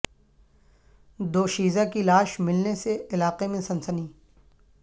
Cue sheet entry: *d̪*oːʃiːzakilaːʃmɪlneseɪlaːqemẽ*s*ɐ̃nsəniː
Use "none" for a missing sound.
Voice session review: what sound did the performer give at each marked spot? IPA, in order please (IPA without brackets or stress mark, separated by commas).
d̪, s